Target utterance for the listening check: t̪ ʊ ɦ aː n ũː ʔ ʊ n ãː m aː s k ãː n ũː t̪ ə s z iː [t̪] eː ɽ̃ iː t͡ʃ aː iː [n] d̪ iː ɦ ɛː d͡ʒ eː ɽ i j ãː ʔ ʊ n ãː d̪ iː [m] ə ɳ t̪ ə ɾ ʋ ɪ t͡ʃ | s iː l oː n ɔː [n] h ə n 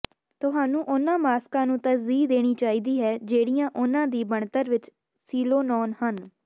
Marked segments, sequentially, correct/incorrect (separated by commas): incorrect, incorrect, incorrect, correct